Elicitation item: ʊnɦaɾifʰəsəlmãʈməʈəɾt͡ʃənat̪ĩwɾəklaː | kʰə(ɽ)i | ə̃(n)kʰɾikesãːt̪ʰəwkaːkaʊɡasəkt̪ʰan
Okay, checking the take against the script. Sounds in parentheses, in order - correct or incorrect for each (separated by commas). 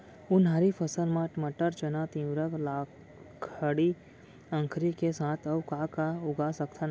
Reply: correct, incorrect